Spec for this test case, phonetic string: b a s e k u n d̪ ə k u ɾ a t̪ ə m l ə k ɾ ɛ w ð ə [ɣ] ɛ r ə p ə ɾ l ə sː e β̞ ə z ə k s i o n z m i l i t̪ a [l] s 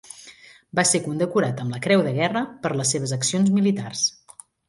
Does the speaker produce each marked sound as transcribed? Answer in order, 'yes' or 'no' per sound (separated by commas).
yes, no